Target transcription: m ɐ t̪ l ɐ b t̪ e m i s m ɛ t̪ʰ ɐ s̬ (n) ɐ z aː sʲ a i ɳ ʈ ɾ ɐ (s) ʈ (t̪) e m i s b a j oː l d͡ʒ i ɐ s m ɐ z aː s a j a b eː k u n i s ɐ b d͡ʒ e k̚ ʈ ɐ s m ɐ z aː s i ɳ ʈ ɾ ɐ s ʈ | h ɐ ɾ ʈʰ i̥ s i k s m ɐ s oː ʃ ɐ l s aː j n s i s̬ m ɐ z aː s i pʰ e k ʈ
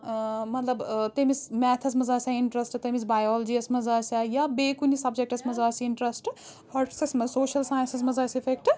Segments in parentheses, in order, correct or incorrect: incorrect, correct, correct

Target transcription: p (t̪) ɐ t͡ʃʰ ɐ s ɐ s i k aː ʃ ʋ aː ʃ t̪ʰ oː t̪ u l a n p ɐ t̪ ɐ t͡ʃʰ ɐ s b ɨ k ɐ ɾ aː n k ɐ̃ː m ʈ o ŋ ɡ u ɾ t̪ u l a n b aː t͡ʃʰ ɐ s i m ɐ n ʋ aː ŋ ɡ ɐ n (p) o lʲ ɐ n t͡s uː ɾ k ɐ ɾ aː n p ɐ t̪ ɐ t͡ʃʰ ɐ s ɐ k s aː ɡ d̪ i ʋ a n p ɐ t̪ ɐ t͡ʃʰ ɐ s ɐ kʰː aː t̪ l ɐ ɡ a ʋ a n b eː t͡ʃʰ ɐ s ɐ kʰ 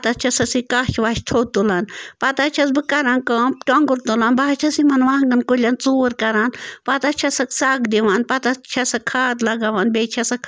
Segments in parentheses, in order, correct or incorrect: correct, incorrect

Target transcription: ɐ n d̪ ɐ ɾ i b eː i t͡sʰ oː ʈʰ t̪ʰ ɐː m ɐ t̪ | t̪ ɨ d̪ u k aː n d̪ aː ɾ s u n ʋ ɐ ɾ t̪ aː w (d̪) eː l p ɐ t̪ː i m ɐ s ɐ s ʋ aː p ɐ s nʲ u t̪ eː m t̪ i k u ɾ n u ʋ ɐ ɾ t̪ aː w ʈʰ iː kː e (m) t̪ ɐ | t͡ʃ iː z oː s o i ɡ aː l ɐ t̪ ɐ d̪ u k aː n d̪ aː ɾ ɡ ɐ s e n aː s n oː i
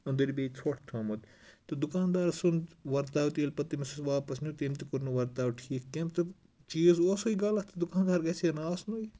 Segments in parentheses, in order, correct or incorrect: incorrect, correct

